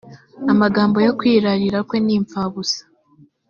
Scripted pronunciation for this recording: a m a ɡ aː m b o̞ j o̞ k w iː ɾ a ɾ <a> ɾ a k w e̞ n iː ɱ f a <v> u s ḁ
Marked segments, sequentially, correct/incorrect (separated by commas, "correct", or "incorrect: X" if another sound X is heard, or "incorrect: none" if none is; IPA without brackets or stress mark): incorrect: i, incorrect: β